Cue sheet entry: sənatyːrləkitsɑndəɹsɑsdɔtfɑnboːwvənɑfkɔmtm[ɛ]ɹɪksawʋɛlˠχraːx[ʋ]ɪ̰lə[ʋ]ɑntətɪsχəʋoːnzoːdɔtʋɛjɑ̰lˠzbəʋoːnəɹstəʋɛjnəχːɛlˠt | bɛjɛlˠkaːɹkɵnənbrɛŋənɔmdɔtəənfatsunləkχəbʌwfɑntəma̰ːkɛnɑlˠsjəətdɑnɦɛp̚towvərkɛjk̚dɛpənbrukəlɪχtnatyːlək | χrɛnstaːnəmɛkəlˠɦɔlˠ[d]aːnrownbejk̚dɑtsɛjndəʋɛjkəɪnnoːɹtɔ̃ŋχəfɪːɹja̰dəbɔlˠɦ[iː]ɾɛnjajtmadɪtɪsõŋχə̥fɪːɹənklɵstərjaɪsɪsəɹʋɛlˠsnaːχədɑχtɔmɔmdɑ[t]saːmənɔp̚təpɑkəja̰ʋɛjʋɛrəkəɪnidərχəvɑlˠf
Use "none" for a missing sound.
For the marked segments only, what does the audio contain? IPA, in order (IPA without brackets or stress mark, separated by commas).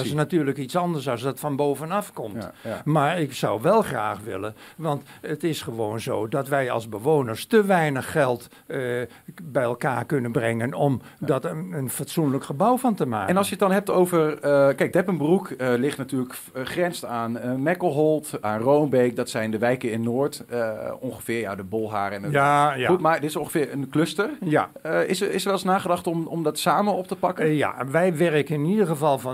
a, ʋ, ʋ, t, aː, t